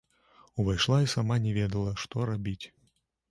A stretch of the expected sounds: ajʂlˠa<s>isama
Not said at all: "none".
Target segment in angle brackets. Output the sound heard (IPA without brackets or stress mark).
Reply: none